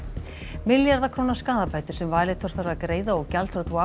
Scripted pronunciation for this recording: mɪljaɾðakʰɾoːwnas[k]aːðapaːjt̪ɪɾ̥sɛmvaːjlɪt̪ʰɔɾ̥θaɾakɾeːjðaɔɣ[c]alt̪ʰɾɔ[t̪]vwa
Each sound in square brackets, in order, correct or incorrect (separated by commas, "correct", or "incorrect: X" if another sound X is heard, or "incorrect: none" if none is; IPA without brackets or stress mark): correct, correct, correct